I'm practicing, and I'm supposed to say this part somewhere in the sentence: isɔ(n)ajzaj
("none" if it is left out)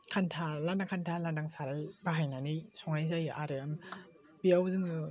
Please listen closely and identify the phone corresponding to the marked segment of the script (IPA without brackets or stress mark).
ŋ